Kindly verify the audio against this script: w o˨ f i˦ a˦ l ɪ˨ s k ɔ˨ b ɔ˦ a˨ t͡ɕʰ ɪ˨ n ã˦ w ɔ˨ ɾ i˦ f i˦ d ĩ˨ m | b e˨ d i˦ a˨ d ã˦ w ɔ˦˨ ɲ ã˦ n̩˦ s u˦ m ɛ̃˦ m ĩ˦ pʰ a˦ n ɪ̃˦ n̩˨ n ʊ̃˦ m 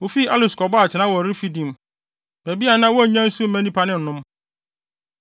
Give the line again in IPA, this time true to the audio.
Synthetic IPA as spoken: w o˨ f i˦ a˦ l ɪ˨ s k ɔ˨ b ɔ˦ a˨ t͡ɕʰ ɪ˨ n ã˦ w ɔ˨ ɾ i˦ f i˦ d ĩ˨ m | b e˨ b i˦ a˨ n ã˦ w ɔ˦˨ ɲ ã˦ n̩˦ s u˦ m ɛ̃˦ n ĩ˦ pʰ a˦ n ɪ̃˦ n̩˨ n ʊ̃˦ m